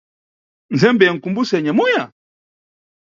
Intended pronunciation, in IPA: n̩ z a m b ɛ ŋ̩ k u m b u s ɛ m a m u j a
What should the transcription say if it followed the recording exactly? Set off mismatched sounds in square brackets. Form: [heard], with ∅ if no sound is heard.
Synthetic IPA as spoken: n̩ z [ɛ] m b ɛ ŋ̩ k u m b u s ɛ [ɲ] a m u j a

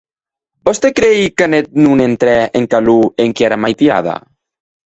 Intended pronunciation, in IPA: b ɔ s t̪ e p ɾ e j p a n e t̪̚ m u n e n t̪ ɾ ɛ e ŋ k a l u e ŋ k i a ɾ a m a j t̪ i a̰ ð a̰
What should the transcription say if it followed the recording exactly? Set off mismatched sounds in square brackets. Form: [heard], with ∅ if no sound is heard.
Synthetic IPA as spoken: b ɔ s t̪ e [k] ɾ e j [k] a n e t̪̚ [n] u n e n t̪ ɾ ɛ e ŋ k a l u e ŋ k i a ɾ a m a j t̪ i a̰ ð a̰

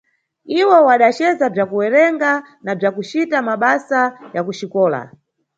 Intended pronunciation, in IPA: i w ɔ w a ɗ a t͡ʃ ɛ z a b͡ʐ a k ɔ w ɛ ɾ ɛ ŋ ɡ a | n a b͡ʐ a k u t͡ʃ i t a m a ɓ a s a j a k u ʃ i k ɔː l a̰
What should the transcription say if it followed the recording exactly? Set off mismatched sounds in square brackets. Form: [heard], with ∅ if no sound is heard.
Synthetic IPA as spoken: i w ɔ w a ɗ a t͡ʃ ɛ z a b͡ʐ a k [u] w ɛ ɾ ɛ ŋ ɡ a | n a b͡ʐ a k u t͡ʃ i t a m a ɓ a s a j a k u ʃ i k ɔː l a̰

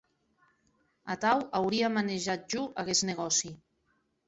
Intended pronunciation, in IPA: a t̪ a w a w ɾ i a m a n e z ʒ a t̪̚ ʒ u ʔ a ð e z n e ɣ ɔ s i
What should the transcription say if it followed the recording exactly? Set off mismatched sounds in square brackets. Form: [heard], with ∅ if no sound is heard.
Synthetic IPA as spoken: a t̪ a w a w ɾ i a m a n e [∅] ʒ a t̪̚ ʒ u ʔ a [ɣ] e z n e ɣ ɔ s i

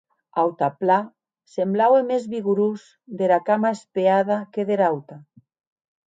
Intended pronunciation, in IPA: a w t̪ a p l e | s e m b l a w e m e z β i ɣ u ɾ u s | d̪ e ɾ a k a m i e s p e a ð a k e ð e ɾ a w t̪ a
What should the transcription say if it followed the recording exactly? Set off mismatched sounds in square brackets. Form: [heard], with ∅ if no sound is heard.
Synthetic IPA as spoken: a w t̪ a p l [a] | s e m b l a w e m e z β i ɣ u ɾ u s | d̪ e ɾ a k a m [a] e s p e a ð a k e ð e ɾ a w t̪ a

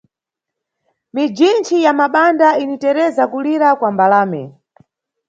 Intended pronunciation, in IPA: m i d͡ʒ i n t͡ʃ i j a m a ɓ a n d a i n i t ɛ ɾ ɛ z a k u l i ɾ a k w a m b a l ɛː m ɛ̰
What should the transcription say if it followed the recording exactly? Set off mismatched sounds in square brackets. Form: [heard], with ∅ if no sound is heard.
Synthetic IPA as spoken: m i d͡ʒ i n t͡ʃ i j a m a ɓ a n d a i n i t ɛ ɾ ɛ z a k u l i ɾ a k w a m b a l [aː] m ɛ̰

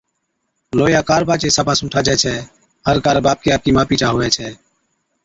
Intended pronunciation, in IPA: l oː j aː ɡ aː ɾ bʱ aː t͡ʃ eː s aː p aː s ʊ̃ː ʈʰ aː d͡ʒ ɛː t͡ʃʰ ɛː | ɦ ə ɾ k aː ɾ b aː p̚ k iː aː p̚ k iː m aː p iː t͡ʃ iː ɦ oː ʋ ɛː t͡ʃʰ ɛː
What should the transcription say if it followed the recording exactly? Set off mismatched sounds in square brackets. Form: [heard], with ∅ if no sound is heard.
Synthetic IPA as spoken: l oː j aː [k] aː ɾ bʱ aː t͡ʃ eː s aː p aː s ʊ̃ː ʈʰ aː d͡ʒ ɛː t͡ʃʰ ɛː | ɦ ə ɾ k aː ɾ b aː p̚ k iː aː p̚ k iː m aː p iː t͡ʃ [aː] ɦ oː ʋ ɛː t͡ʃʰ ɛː

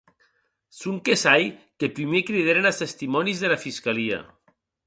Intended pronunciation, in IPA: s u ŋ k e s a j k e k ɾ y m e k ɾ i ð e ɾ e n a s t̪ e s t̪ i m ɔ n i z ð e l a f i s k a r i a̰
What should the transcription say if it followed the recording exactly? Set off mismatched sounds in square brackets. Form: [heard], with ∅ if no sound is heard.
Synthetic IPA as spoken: s u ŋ k e s a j k e [p] ɾ [i] m e k ɾ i ð e ɾ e n a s t̪ e s t̪ i m ɔ n i z ð e l a f i s k a [l] i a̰

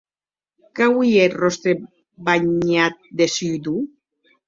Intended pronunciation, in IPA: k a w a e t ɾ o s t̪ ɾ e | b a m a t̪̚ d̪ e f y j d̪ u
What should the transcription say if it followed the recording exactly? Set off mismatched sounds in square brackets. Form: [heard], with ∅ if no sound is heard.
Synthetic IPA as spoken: k a w [i] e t [r] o s t̪ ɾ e | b a [ɲ] a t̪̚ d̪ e [s] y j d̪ u

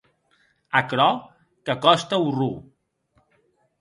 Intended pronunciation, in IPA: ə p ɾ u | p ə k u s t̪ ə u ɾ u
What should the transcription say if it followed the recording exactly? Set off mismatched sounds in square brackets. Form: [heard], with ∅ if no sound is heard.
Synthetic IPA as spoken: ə [k] ɾ [ɔ] | [k] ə k [ɔ] s t̪ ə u [r] u

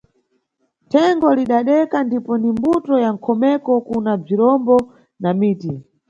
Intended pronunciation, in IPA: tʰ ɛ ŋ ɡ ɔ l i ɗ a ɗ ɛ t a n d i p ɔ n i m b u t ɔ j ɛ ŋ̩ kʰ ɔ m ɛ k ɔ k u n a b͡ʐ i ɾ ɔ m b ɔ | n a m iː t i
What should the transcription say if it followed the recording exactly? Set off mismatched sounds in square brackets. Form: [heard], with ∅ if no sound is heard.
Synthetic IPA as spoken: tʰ ɛ ŋ ɡ ɔ l i ɗ a ɗ ɛ [k] a n d i p ɔ n i m b u t ɔ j [a] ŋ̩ kʰ ɔ m ɛ k ɔ k u n a b͡ʐ i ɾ ɔ m b ɔ | n a m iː t i

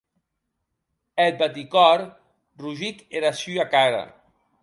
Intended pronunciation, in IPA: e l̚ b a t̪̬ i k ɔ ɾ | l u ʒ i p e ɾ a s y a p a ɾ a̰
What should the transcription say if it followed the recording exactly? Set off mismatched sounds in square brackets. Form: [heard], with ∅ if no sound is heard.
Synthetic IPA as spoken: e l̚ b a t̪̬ i k ɔ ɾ | [r] u ʒ i [k] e ɾ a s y a [k] a ɾ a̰

